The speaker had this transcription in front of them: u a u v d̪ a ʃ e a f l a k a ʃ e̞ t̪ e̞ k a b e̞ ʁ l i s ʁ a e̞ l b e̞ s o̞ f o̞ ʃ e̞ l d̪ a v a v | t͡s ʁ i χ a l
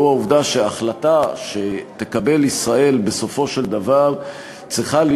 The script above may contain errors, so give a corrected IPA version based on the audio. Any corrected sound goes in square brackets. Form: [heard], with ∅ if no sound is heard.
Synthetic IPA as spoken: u a u v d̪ a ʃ e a [χ] l a [t] a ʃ e̞ t̪ e̞ k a b e̞ [∅] l i s ʁ a e̞ l b e̞ s o̞ f o̞ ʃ e̞ l d̪ a v a [ʁ] | t͡s ʁ i χ a l